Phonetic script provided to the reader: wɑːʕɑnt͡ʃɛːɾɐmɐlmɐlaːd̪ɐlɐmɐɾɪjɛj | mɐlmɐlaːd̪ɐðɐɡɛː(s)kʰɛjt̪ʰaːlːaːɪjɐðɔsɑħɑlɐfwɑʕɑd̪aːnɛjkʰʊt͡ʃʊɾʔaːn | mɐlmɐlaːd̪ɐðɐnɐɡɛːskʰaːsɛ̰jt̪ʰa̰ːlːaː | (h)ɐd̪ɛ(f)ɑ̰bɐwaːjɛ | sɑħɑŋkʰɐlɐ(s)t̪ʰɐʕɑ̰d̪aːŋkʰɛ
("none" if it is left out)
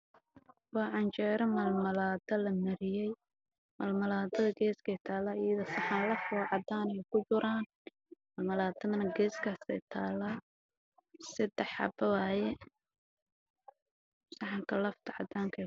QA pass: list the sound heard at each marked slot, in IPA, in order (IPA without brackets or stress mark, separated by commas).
s, s, ħ, f